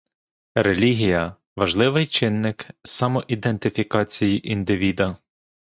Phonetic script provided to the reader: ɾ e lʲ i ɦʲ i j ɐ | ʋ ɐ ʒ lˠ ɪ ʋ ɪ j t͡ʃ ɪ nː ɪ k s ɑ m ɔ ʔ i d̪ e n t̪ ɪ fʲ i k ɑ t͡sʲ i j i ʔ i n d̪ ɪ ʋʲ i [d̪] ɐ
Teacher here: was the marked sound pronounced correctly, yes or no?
yes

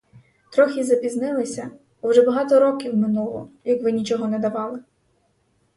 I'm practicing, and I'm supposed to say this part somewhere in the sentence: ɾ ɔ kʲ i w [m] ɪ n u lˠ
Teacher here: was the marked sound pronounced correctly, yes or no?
yes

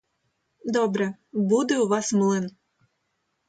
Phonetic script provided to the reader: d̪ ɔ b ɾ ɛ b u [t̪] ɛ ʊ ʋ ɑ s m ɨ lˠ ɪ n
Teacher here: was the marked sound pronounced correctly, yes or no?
no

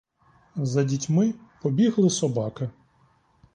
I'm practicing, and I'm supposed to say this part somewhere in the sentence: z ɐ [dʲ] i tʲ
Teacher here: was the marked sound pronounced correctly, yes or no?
yes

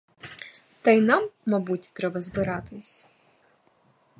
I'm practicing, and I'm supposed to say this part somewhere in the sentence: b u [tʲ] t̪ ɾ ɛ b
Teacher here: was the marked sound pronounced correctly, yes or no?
yes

